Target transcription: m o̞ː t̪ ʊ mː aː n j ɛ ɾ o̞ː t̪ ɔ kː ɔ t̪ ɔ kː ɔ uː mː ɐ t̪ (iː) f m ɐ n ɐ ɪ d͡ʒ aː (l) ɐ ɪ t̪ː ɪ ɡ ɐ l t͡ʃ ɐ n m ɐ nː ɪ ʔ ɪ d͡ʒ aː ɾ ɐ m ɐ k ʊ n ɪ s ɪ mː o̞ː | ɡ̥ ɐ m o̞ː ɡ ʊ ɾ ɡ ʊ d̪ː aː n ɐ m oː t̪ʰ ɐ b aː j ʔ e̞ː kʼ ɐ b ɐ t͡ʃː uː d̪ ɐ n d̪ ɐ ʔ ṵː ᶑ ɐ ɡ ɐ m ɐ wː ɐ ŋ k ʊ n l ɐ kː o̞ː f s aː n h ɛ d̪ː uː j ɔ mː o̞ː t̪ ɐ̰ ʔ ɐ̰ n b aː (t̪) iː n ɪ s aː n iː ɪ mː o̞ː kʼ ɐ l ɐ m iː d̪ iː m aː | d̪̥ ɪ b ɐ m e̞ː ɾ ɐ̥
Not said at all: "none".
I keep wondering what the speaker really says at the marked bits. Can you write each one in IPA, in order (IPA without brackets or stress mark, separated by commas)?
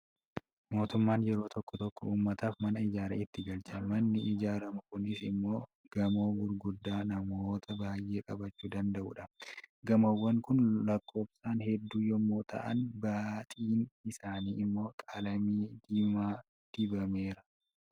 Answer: aː, ɾ, t̪ʼ